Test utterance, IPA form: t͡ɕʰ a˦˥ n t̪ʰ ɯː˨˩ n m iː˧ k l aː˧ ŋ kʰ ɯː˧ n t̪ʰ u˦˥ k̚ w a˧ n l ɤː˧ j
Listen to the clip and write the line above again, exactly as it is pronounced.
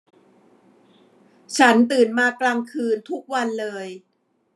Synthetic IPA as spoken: t͡ɕʰ a˦˥ n t̪ ɯː˨˩ n m aː˧ k l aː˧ ŋ kʰ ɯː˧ n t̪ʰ u˦˥ k̚ w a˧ n l ɤː˧ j